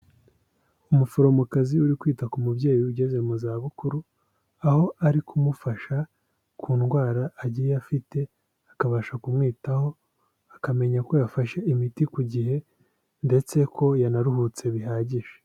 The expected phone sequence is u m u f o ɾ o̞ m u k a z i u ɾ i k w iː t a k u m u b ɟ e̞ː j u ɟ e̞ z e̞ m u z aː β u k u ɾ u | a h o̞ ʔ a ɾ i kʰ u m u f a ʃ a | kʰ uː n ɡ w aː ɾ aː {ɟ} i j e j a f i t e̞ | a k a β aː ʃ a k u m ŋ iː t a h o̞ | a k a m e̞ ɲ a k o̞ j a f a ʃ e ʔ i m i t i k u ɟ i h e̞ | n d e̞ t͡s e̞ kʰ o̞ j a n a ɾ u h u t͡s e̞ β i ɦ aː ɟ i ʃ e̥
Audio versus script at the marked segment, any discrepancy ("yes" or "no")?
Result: no